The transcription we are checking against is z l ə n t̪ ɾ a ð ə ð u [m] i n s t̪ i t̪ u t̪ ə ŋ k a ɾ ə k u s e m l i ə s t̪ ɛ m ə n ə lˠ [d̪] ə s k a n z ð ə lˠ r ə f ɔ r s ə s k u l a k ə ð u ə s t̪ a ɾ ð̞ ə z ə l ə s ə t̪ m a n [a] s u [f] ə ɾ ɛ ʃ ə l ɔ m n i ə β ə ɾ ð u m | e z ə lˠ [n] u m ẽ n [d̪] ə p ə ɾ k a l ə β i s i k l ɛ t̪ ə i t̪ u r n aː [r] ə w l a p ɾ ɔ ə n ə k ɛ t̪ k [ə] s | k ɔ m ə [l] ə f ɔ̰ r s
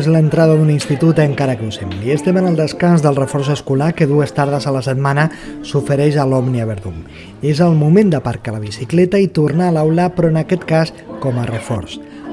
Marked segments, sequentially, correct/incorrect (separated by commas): incorrect, correct, incorrect, correct, incorrect, correct, incorrect, incorrect, incorrect